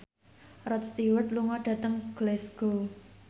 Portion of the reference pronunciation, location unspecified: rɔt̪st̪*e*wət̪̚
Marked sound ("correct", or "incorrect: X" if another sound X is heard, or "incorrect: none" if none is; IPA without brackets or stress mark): incorrect: i